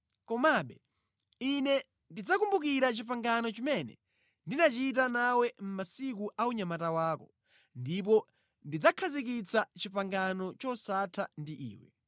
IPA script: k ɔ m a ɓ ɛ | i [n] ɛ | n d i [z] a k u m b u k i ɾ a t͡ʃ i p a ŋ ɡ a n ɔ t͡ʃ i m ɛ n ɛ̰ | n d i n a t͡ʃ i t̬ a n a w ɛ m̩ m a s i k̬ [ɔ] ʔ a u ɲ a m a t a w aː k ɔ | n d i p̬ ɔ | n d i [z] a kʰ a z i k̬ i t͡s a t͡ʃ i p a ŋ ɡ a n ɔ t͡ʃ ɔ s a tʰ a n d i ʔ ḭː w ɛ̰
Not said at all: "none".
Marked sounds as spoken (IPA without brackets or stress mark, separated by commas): n, d͡z, u, d͡z